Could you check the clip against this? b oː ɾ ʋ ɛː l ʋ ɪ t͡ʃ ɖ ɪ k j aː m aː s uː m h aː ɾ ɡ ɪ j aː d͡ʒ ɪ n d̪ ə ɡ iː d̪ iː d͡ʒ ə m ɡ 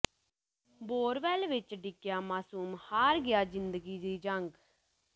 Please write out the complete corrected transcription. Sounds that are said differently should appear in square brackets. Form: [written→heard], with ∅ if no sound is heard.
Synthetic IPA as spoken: b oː ɾ ʋ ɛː l ʋ ɪ t͡ʃ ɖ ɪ k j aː m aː s uː m h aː ɾ ɡ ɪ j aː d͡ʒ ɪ n d̪ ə ɡ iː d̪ iː d͡ʒ ə [m→ŋ] ɡ